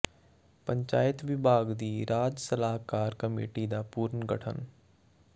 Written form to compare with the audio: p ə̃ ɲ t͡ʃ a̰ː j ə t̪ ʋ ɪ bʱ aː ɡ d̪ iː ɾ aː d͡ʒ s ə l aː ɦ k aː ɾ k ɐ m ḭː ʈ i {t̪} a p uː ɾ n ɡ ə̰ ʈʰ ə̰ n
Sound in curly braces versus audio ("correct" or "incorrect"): incorrect